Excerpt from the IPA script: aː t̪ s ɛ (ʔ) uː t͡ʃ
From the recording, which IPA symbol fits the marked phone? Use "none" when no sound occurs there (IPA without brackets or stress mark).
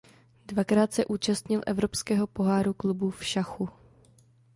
ʔ